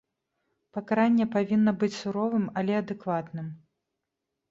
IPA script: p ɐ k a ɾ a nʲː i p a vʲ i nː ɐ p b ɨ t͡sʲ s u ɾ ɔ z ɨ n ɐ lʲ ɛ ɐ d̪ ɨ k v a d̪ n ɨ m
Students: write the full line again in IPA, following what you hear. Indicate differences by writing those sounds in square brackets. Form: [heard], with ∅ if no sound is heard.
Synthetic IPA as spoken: p ɐ k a ɾ a nʲː [ɛ] p a vʲ i nː ɐ [∅] b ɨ t͡sʲ s u ɾ ɔ [v] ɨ [m] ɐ lʲ ɛ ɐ d̪ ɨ k v a [t̪] n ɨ m